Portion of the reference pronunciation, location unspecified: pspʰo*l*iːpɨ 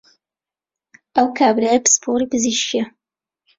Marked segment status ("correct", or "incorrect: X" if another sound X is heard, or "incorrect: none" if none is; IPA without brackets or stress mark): incorrect: ɾ